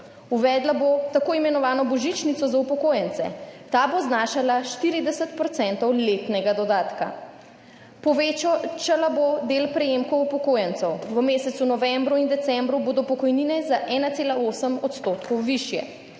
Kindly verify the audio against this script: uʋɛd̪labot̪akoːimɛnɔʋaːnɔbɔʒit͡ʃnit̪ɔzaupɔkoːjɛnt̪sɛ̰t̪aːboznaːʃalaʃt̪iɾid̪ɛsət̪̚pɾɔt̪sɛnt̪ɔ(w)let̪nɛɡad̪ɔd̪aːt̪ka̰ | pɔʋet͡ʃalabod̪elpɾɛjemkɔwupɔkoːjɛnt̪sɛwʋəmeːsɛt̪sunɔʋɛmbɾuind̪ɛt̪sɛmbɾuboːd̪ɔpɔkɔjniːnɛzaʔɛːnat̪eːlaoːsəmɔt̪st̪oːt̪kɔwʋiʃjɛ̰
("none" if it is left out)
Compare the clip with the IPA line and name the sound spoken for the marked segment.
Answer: w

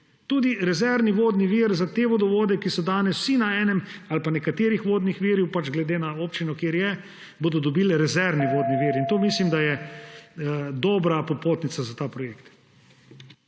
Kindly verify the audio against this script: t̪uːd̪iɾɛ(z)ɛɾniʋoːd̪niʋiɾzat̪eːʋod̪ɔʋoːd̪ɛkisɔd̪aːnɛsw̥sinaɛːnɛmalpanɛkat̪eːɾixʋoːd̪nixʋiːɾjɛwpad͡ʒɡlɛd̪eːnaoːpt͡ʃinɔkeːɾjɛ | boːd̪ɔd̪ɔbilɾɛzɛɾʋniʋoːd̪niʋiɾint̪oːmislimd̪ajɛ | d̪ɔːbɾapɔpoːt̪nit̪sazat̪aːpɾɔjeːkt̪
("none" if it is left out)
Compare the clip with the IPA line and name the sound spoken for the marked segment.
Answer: z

